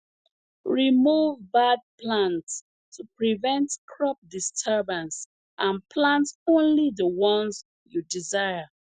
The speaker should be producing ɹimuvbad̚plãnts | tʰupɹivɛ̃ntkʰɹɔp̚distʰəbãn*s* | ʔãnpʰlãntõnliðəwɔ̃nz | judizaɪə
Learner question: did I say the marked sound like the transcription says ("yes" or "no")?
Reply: yes